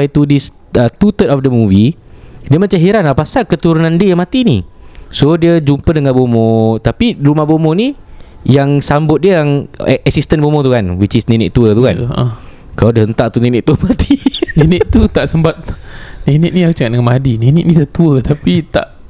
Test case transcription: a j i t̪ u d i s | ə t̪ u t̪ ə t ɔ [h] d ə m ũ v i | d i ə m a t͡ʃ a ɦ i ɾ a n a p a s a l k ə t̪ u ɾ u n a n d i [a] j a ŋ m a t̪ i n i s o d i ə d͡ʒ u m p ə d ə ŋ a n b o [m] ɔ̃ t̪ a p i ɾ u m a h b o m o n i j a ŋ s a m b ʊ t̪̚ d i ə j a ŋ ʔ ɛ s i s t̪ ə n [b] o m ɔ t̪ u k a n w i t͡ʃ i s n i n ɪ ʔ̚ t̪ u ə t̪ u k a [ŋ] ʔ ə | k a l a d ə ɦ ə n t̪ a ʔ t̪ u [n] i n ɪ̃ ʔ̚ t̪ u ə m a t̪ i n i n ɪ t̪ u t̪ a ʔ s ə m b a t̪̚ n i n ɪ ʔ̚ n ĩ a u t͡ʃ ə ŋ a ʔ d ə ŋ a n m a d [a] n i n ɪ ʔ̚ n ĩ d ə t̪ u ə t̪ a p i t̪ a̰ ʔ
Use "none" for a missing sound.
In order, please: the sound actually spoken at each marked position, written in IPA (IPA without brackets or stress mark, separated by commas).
f, ə, m, b, n, n, i